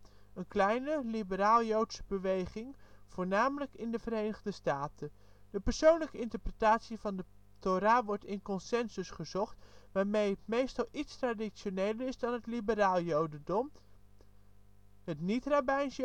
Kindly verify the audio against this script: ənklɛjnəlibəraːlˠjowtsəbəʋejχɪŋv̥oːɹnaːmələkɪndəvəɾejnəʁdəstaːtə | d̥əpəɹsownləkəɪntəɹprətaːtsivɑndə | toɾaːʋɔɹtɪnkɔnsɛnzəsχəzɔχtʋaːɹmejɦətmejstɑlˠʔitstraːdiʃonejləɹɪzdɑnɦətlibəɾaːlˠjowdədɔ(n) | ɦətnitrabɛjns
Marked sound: incorrect: m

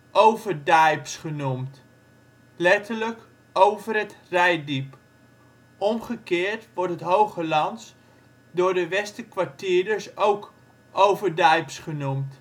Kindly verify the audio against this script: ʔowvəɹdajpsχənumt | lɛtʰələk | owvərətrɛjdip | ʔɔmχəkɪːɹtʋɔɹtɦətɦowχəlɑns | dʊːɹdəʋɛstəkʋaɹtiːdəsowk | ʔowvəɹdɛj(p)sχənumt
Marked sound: correct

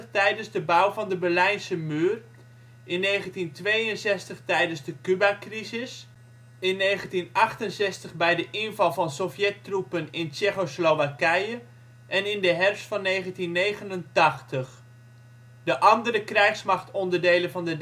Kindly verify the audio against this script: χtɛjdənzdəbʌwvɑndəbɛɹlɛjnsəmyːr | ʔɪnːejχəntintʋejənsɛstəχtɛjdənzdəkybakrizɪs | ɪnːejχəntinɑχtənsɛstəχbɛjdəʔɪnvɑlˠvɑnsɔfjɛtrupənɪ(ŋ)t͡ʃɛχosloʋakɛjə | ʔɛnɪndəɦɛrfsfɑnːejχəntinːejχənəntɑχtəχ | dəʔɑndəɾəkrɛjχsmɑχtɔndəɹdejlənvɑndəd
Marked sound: incorrect: n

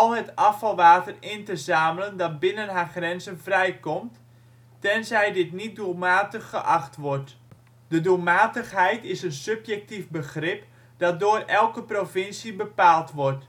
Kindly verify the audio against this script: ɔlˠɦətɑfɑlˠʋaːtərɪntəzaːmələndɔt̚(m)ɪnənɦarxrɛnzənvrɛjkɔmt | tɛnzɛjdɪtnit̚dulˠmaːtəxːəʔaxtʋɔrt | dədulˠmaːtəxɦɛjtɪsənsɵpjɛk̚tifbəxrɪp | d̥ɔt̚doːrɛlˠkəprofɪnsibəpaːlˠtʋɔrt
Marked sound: incorrect: b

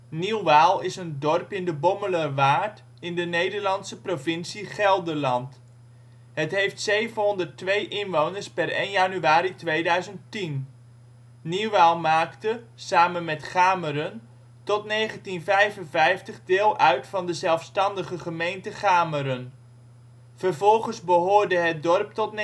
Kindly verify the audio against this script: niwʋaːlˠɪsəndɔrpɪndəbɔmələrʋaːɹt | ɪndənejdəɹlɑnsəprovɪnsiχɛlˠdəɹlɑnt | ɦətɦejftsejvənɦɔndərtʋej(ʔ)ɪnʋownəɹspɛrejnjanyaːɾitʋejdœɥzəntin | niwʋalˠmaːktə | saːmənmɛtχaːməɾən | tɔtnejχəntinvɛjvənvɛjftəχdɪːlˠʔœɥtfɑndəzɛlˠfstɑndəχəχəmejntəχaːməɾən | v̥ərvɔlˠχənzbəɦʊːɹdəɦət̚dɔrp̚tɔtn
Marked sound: correct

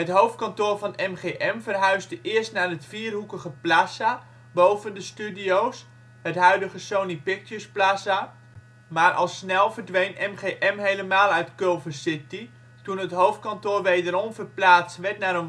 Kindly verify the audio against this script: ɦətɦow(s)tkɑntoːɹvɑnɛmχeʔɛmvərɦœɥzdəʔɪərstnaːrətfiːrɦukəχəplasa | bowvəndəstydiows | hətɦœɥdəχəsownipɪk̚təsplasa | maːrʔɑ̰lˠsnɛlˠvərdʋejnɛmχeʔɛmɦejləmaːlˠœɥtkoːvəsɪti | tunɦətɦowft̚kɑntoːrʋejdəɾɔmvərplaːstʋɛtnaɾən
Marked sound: incorrect: f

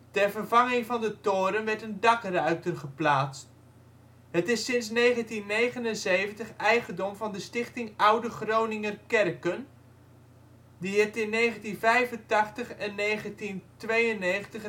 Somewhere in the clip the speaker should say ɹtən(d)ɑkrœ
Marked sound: correct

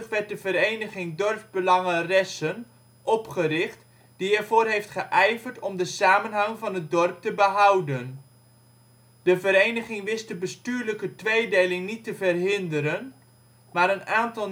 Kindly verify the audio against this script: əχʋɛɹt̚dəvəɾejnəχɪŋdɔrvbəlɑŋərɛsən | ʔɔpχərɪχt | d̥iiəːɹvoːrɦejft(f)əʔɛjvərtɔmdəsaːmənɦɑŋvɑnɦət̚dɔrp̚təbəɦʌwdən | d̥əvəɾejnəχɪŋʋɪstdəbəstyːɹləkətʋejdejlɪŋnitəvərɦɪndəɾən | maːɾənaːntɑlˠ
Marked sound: incorrect: χ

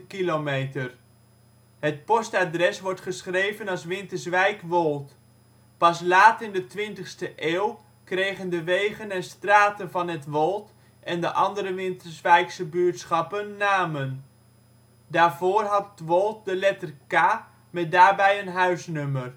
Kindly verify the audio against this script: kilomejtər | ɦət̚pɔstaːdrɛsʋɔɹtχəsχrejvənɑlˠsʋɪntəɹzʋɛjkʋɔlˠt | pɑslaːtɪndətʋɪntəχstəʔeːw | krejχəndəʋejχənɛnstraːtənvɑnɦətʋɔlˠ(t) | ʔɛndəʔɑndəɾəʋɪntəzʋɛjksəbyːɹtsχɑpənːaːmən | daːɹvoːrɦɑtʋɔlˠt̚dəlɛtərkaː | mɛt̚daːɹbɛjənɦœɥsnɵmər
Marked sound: correct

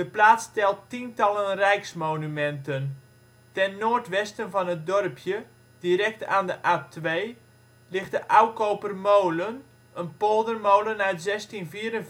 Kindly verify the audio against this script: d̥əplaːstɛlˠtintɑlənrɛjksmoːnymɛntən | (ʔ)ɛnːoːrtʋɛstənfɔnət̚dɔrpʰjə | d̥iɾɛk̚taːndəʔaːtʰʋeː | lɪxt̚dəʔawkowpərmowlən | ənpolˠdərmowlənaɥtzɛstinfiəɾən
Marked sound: incorrect: t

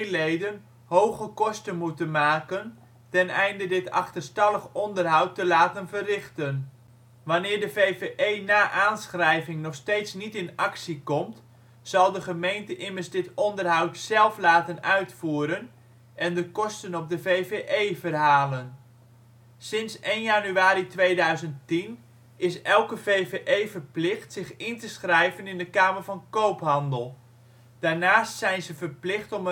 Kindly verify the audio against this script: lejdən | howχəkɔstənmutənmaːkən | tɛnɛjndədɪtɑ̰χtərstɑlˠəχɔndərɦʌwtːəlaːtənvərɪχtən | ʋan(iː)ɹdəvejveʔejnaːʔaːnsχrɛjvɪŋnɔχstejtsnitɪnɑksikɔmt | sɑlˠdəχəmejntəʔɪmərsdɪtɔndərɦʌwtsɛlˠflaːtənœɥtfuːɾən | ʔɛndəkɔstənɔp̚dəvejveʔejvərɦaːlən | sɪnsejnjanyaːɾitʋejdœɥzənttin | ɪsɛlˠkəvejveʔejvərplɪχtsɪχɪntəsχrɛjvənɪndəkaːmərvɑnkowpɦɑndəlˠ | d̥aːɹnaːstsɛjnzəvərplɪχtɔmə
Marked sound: incorrect: ɪː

